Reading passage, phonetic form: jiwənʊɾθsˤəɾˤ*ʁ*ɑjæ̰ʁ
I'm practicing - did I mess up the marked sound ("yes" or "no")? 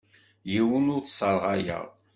no